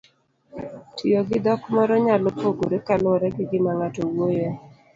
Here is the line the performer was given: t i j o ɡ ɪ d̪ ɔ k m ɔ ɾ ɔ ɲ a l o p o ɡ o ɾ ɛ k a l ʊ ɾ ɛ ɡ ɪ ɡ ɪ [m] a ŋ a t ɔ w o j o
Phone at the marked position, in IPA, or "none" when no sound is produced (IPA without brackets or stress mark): m